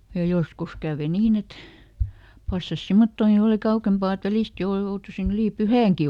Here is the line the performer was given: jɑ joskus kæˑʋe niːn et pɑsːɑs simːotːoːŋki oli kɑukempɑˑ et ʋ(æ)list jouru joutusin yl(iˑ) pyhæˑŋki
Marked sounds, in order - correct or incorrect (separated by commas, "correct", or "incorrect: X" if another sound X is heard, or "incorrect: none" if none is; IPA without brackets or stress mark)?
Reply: correct, correct